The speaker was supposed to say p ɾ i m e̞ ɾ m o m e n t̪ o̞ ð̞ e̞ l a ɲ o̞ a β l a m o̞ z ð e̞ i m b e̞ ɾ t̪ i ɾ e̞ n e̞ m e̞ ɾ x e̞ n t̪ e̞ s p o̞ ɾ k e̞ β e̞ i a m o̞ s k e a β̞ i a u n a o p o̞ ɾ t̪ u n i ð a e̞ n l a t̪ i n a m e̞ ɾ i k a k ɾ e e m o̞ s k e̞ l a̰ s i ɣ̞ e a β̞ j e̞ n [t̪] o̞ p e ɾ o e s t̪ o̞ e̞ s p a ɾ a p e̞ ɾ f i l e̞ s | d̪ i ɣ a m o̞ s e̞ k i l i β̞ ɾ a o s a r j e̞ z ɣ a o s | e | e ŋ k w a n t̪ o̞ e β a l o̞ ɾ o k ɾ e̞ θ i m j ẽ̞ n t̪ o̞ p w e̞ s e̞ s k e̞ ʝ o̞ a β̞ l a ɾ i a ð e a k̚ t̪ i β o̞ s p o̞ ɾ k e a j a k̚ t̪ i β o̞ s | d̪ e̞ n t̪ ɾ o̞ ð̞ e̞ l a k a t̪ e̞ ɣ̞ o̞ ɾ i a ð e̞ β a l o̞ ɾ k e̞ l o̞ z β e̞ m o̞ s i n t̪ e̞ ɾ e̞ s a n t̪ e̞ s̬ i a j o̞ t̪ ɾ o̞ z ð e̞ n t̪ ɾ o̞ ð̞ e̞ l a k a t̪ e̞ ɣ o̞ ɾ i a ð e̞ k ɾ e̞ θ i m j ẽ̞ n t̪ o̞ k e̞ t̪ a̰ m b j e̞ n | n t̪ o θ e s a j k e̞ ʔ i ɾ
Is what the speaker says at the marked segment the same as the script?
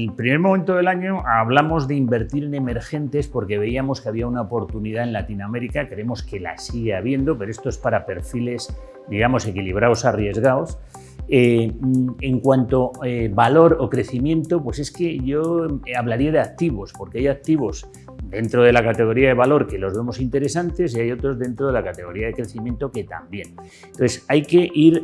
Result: no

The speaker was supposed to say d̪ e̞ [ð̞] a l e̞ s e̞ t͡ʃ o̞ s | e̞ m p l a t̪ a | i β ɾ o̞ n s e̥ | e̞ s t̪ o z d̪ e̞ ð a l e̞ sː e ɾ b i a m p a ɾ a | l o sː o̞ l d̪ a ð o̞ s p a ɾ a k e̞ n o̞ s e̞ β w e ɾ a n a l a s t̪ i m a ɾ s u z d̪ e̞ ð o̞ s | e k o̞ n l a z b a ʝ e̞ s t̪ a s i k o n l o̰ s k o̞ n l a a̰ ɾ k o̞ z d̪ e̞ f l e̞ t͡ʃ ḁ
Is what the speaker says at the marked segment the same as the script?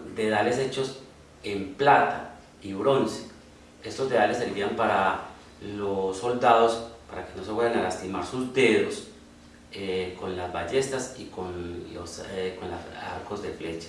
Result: yes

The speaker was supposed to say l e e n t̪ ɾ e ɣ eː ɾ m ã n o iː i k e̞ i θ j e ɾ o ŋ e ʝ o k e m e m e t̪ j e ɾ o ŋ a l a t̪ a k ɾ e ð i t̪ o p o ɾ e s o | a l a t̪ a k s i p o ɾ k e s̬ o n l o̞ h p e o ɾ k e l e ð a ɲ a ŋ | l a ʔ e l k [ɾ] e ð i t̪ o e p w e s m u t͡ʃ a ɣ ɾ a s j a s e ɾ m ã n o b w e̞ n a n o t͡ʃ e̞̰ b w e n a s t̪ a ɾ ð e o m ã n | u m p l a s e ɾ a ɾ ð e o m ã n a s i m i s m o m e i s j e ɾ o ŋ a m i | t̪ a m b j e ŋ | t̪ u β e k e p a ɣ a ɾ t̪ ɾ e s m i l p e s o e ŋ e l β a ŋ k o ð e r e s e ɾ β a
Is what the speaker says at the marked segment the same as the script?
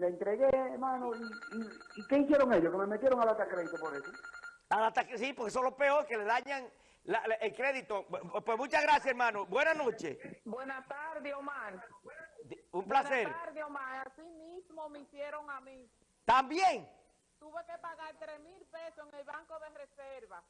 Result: yes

